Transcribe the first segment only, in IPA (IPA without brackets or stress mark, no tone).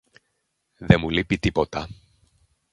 ð